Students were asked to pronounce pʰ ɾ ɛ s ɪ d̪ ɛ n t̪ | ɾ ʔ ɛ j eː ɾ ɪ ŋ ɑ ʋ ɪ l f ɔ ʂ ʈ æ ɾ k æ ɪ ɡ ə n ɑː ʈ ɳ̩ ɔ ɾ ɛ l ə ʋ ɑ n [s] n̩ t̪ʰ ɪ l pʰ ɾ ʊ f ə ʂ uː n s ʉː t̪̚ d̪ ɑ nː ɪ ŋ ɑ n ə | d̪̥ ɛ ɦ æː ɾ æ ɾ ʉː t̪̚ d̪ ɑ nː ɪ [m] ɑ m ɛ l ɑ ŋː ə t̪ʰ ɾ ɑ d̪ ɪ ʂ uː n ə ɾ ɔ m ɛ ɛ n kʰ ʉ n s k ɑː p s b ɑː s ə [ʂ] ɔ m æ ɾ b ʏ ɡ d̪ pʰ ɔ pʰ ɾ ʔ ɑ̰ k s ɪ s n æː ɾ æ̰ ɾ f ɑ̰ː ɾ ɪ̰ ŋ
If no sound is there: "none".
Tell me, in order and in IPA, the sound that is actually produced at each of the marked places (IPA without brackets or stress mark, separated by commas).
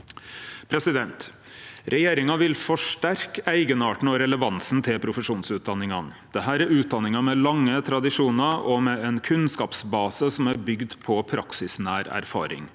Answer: s, ŋ, s